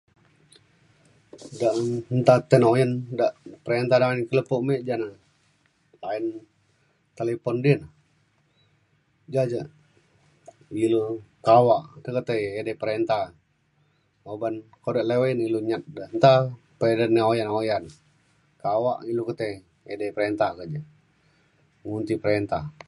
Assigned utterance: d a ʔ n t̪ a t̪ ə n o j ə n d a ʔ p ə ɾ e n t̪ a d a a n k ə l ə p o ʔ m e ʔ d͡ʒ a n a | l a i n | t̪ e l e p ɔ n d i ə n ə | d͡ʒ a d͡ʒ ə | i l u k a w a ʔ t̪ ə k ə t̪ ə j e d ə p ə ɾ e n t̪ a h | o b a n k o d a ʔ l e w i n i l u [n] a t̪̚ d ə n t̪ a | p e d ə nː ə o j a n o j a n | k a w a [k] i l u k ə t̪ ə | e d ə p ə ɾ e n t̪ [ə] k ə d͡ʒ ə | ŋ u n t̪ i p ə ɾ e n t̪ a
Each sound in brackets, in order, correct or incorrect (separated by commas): incorrect, incorrect, incorrect